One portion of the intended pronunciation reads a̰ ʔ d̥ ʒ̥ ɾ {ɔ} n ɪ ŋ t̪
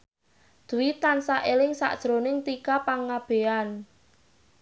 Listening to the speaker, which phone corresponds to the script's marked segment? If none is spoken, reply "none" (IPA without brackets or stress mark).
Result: o